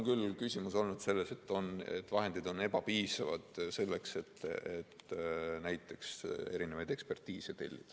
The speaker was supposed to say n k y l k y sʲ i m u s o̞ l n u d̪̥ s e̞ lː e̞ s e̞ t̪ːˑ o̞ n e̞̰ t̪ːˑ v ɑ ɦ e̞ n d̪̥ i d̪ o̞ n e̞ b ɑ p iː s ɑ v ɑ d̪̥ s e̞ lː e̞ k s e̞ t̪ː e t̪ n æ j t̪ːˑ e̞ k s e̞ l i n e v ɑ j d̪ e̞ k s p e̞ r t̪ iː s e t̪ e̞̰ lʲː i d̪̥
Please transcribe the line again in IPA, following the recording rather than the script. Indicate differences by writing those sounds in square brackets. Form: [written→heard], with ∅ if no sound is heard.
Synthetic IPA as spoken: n k y l k y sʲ i m u s o̞ l n u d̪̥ s e̞ lː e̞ s e̞ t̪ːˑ o̞ n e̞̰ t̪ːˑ v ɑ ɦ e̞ n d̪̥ i d̪ o̞ n e̞ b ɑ p iː s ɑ v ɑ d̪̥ s e̞ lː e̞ k s e̞ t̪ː e t̪ n æ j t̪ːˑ e̞ k s e̞ [l→ɾ] i n e v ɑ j d̪ e̞ k s p e̞ r t̪ iː s e t̪ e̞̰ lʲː i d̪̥